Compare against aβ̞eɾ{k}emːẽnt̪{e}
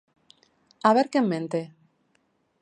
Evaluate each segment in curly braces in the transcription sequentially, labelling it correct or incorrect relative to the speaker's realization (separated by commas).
correct, correct